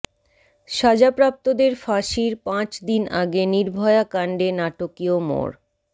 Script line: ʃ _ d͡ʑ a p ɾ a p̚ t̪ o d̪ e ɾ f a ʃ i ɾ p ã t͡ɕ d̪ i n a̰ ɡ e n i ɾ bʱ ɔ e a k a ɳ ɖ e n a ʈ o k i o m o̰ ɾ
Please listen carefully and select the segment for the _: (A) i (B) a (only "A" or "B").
B